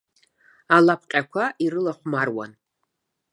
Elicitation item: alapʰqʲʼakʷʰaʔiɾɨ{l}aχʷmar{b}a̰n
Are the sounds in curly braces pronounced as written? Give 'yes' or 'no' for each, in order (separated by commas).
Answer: yes, no